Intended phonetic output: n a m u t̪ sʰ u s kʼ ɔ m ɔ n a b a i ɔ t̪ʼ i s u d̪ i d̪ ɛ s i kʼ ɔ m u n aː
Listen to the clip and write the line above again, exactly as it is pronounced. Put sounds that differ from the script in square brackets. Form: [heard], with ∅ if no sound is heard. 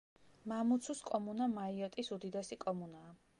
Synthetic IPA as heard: [m] a m u t̪ sʰ u s kʼ ɔ m [u] n a [m] a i ɔ t̪ʼ i s u d̪ i d̪ ɛ s i kʼ ɔ m u n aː